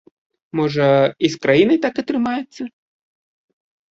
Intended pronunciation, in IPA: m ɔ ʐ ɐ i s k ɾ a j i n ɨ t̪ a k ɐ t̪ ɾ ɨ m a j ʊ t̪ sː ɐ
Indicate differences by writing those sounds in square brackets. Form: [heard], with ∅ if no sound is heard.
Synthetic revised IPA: m ɔ ʐ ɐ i s k ɾ a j i n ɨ t̪ a k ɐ t̪ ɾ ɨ m a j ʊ t̪ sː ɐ